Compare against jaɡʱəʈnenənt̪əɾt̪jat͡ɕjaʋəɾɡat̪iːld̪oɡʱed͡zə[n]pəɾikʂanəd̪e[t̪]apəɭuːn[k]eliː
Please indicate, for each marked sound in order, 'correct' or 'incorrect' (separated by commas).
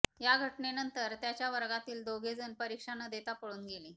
correct, correct, incorrect